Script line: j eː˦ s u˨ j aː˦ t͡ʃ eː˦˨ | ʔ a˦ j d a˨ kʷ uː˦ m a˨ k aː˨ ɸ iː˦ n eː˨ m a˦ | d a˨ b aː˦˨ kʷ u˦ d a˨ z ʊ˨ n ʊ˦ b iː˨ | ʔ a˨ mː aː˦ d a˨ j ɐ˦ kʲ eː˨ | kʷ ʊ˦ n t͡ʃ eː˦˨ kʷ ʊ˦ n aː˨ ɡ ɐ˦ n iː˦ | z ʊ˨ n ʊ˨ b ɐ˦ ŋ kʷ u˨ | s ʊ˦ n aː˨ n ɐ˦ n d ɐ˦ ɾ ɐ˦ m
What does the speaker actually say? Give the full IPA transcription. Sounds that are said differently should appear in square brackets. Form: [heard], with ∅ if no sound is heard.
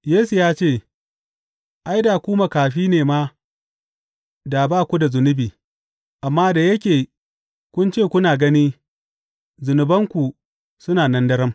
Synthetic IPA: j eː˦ s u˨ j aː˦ t͡ʃ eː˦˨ | ʔ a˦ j d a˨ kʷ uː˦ m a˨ k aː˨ ɸ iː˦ n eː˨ m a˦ | d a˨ b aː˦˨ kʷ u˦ d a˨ z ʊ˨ n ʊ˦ b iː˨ | ʔ a˨ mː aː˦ d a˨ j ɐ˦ kʲ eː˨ | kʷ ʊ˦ n t͡ʃ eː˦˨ kʷ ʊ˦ n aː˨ ɡ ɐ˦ n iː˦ | z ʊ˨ n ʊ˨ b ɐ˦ ŋ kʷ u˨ | s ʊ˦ n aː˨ n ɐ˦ n d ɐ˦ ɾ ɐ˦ m